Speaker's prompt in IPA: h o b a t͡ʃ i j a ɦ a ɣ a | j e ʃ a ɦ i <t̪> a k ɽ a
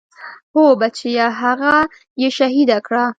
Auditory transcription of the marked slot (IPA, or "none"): d̪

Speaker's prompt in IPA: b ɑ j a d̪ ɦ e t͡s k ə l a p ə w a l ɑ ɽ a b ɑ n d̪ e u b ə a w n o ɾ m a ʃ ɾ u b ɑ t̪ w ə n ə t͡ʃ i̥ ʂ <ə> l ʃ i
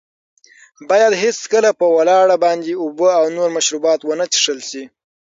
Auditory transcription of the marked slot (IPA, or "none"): ə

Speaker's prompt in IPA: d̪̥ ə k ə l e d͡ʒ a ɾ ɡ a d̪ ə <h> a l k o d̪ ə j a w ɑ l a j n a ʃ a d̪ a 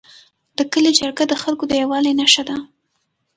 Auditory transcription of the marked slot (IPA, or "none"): x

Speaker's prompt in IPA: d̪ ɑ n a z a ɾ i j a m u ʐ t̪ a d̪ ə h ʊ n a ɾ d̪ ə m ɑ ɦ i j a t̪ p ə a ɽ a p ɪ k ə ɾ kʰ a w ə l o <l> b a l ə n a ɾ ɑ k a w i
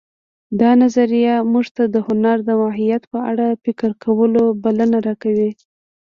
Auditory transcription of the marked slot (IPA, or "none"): none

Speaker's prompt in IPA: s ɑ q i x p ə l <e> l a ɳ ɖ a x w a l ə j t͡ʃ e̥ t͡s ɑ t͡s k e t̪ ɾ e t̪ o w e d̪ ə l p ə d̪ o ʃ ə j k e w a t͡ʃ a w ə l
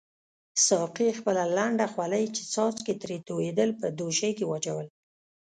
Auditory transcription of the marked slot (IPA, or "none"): a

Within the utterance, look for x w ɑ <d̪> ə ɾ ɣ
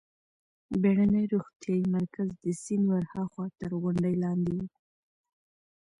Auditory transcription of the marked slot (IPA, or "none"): t̪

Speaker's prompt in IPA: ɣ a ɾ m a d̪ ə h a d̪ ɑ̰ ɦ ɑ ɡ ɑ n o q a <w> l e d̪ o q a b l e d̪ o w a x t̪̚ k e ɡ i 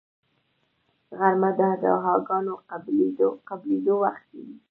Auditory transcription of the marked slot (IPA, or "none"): b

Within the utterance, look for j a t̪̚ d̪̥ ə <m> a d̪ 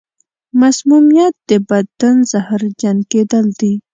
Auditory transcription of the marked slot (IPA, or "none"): b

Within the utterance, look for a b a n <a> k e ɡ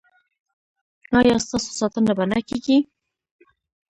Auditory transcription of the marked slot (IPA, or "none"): a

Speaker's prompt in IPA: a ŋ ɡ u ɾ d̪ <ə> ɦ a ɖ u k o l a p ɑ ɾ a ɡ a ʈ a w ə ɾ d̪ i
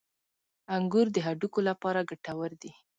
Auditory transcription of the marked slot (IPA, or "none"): ə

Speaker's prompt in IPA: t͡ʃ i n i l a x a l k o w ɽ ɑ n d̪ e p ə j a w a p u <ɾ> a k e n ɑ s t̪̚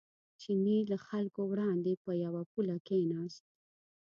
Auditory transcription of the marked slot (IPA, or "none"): l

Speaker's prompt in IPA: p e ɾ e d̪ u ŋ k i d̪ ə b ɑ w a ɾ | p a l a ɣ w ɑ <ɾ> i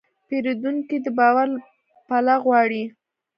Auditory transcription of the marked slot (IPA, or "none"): ɽ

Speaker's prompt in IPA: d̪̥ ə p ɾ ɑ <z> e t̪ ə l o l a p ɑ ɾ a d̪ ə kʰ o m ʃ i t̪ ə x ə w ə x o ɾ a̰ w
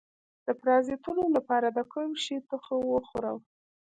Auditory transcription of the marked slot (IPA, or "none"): z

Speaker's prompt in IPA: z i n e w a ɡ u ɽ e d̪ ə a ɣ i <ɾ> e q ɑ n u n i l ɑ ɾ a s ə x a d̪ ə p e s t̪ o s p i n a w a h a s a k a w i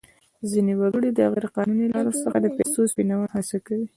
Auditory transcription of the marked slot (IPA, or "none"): ɾ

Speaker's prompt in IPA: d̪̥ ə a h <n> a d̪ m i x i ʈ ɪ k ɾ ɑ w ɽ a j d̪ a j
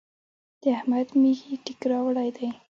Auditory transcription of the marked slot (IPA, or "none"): m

